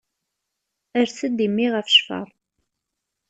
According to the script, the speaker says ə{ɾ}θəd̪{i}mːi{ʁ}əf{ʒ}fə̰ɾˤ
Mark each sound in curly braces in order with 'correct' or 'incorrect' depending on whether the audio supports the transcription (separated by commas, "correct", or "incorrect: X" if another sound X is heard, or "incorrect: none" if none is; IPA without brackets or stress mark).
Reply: correct, correct, correct, incorrect: ʃ